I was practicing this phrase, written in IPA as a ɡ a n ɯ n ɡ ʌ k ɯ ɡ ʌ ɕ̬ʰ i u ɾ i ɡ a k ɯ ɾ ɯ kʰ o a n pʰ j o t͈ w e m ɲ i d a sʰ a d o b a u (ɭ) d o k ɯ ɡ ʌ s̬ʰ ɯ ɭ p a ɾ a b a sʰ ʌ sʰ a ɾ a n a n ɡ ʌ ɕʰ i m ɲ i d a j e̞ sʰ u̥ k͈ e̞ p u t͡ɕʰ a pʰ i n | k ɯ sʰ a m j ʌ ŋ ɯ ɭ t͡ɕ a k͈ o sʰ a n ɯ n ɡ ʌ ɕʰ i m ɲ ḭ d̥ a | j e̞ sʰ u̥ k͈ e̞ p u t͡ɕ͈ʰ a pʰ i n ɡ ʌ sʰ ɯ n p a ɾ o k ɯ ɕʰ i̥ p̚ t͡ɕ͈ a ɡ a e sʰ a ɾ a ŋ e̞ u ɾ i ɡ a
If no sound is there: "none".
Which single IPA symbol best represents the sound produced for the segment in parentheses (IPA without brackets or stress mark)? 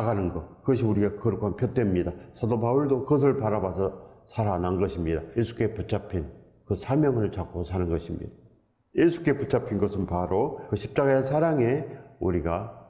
ɭ